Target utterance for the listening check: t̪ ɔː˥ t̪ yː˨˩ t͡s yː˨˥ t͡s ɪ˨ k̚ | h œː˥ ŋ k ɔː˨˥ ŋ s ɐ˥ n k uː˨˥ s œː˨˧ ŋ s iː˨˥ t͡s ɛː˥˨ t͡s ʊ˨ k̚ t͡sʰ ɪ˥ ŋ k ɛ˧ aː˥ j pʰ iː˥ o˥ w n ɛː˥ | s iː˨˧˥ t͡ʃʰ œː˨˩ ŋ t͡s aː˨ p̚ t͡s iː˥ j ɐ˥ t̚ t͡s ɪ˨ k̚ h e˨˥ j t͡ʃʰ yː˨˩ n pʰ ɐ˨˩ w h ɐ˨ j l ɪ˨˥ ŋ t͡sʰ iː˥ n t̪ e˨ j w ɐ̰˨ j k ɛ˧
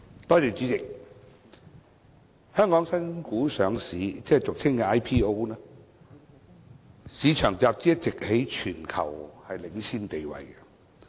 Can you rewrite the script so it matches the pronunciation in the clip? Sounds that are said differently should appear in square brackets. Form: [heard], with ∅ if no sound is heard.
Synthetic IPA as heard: t̪ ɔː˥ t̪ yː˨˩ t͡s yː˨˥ t͡s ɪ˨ k̚ | h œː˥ ŋ k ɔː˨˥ ŋ s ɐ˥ n k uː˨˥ s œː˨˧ ŋ s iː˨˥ t͡s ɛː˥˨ t͡s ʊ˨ k̚ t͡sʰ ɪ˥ ŋ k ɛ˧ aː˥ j pʰ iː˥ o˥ w n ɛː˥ | s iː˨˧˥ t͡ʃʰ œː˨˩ ŋ t͡s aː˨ p̚ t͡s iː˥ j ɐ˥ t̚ t͡s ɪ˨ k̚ h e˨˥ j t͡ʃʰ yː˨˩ n [kʰ] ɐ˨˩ w h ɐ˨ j l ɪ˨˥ ŋ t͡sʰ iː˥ n t̪ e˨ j w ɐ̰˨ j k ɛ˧